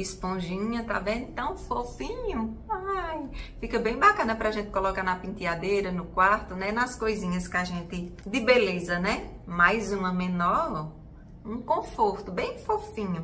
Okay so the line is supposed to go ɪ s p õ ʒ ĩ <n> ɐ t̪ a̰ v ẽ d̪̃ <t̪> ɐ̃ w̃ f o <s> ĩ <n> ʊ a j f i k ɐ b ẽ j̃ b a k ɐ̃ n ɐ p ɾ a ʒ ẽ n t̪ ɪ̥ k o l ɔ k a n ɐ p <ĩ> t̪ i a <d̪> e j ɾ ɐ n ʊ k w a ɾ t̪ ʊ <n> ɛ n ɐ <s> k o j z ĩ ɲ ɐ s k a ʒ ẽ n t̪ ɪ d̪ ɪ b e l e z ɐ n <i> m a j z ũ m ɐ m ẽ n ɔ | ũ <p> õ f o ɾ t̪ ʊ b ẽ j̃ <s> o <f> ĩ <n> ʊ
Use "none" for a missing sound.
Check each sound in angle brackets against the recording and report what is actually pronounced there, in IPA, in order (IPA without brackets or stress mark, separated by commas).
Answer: ɲ, t̪, f, ɲ, ĩ, d̪, n, s, ɛ, k, f, f, ɲ